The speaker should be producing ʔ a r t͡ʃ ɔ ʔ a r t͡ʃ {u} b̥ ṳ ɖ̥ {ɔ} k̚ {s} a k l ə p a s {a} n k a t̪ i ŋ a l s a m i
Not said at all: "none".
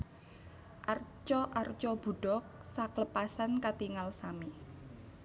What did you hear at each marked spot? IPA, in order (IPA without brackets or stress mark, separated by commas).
ɔ, ɔ, s, a